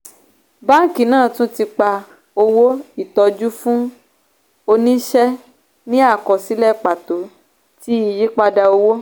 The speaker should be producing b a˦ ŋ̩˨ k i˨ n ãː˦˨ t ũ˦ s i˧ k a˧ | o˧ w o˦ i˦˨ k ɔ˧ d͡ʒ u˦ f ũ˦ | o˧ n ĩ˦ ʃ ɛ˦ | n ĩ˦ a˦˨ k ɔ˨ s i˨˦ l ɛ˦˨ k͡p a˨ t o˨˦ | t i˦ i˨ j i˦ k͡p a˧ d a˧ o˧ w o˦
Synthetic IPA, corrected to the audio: b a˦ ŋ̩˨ k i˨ n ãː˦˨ t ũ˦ t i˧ k͡p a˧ | o˧ w o˦ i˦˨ t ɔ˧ d͡ʒ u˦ f ũ˦ | o˧ n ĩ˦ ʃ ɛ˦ | n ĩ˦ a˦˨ k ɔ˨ s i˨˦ l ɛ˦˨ k͡p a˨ t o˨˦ | t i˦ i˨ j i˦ k͡p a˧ d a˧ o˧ w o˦

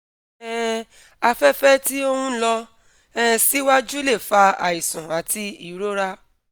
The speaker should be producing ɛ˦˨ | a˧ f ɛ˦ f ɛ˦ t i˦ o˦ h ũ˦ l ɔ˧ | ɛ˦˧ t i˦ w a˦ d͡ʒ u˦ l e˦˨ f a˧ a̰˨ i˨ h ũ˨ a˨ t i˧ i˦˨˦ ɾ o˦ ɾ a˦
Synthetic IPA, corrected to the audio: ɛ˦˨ | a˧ f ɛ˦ f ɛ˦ t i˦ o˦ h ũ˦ l ɔ˧ | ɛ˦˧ s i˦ w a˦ d͡ʒ u˦ l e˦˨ f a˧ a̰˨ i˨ s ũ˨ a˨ t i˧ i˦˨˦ ɾ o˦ ɾ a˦

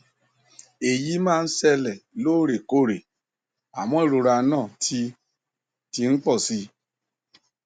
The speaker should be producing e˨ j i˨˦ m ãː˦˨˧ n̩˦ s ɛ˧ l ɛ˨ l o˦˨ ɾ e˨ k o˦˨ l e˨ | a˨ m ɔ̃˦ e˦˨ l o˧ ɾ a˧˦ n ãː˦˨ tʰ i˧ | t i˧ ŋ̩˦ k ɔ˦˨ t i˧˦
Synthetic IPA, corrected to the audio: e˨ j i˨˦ m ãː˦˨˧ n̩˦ s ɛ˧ l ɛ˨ l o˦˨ ɾ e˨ k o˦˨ ɾ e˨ | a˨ m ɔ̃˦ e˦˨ ɾ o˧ ɾ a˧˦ n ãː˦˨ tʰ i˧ | t i˧ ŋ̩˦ k͡p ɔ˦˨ s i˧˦

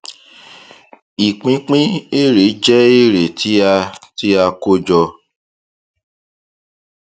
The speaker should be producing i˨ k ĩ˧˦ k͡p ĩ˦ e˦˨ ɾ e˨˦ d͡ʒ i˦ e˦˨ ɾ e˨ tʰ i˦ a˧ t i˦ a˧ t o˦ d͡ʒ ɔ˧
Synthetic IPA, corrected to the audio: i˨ k͡p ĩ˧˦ k͡p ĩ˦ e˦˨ ɾ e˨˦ d͡ʒ ɛ˦ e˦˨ ɾ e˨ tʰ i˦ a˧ t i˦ a˧ k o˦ d͡ʒ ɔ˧

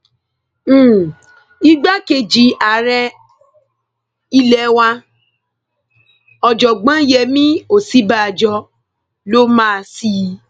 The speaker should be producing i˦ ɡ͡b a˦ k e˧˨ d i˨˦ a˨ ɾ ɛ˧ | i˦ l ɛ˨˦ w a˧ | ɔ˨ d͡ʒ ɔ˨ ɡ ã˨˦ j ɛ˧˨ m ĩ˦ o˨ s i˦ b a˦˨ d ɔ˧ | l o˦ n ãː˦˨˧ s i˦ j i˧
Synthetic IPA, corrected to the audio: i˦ ɡ͡b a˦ k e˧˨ d͡ʒ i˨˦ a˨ ɾ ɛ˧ | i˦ l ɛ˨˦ w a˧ | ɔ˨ d͡ʒ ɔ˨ ɡ͡b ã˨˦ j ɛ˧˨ m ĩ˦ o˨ s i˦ b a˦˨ d͡ʒ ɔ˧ | l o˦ m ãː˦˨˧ s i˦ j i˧

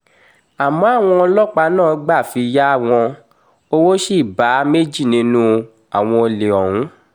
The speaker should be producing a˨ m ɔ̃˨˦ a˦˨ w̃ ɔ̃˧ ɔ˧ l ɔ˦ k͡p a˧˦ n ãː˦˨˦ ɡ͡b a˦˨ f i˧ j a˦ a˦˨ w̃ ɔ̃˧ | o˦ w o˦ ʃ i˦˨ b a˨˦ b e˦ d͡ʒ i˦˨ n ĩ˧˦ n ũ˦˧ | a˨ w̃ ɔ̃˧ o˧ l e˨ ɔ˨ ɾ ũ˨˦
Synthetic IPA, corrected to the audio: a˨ m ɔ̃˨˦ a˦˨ w̃ ɔ̃˧ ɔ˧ l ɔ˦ k͡p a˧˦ n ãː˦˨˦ ɡ͡b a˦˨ f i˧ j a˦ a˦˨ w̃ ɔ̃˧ | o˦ w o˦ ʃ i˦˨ b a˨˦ m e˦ d͡ʒ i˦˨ n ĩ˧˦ n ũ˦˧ | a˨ w̃ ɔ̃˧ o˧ l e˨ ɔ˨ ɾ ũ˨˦

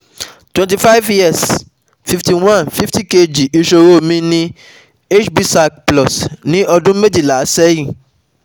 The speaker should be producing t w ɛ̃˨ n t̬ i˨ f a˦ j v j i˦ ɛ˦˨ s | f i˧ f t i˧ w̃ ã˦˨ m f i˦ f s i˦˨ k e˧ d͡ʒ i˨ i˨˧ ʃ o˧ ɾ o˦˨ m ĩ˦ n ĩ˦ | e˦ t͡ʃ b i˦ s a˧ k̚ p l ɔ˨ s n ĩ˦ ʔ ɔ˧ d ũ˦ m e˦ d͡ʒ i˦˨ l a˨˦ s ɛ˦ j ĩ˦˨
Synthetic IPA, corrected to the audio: t w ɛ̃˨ n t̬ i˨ f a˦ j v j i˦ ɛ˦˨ s | f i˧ f t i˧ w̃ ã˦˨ n f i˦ f t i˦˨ k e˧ d͡ʒ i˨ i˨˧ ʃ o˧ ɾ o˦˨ m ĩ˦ n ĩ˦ | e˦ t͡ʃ b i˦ s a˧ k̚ p l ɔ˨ s n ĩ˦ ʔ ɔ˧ d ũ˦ m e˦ d͡ʒ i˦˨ l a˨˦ s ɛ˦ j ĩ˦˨

